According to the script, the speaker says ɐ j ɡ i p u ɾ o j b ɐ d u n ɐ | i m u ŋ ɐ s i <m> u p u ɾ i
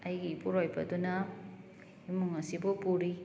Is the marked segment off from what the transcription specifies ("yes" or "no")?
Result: yes